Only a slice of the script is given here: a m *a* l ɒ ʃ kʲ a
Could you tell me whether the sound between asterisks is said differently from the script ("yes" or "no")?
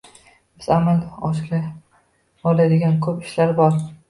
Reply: no